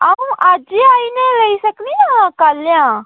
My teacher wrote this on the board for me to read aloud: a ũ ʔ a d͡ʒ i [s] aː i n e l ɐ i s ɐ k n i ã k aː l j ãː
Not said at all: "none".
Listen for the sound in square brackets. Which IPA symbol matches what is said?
none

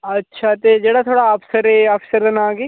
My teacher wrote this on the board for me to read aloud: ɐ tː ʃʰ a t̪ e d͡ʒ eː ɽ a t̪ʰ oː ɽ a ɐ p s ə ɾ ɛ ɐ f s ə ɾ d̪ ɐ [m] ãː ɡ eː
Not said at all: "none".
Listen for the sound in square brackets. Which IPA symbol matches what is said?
n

